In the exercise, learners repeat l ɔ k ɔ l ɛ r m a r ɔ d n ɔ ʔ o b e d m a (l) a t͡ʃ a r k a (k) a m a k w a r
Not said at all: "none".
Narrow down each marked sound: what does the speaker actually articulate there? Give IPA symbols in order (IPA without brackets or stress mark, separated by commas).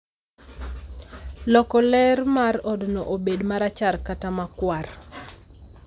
ɾ, t